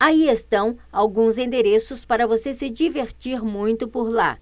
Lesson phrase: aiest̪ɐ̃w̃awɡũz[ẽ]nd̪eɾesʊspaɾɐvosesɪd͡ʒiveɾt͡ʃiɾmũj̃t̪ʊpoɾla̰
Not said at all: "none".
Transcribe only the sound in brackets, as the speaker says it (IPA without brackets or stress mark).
ẽ